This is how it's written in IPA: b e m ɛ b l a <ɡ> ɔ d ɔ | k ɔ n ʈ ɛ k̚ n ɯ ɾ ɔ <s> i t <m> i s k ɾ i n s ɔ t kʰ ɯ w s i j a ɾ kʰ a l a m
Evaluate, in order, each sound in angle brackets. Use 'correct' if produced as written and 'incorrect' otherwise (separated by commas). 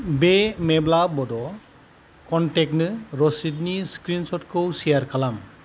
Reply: incorrect, correct, incorrect